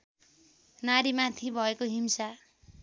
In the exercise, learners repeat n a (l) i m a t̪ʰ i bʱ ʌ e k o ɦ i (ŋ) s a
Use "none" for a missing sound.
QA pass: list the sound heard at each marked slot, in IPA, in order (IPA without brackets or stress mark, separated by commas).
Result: ɾ, m